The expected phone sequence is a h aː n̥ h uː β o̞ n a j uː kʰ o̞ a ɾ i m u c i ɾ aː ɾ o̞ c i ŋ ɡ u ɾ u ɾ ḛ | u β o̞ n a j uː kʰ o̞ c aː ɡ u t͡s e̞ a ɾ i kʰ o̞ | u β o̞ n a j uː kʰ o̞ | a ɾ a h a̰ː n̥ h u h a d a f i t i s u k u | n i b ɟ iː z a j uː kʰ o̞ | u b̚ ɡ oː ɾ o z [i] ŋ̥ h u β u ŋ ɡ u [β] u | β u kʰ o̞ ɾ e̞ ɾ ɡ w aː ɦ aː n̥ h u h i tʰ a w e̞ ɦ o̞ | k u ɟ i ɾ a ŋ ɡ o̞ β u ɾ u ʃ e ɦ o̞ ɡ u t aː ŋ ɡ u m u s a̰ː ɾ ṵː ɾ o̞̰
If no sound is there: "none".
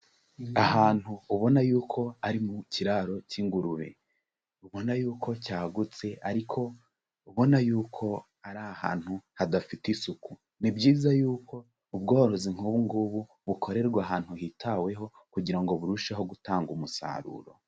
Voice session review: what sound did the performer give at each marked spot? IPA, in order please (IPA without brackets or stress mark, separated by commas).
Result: i, β